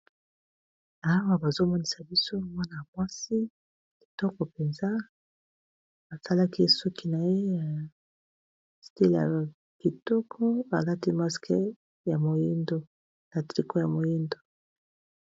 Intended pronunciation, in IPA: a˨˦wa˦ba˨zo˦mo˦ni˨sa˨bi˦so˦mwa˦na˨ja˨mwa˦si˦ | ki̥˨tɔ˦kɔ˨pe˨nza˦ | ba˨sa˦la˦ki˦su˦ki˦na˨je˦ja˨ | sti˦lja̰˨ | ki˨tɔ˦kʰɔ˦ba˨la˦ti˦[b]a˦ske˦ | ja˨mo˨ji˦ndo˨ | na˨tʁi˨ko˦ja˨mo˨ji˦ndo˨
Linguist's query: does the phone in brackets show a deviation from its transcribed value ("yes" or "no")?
yes